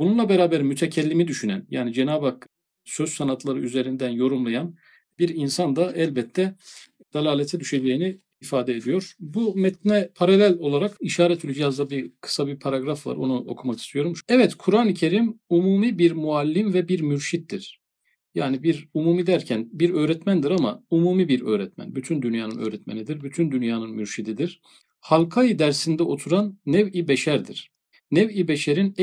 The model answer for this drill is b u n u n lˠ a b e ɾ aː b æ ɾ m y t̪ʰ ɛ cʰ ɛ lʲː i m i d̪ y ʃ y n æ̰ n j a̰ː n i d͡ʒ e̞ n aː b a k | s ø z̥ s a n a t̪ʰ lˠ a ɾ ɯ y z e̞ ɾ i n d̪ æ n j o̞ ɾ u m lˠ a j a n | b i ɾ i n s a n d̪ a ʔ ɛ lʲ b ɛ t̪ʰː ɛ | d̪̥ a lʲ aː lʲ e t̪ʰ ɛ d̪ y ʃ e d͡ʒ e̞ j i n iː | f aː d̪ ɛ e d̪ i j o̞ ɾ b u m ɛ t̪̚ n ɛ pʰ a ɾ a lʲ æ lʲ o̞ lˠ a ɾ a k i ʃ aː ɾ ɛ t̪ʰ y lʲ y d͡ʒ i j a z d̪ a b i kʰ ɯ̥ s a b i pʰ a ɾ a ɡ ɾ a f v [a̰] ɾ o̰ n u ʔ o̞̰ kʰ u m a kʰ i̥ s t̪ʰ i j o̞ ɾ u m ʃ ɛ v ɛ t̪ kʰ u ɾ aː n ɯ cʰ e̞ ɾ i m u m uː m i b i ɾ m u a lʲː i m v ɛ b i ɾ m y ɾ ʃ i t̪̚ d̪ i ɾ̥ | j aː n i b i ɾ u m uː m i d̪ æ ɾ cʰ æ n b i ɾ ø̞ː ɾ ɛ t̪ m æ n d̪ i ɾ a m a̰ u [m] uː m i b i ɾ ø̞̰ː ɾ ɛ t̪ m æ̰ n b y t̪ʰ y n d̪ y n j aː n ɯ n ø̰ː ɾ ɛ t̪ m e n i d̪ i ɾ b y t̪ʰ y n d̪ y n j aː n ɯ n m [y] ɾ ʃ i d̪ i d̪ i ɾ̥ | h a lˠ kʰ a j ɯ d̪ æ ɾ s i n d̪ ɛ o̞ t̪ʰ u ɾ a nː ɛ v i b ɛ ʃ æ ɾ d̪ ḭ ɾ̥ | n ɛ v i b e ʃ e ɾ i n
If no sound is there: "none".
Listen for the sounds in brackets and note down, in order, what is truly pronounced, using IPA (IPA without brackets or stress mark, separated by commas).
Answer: a̰, m, y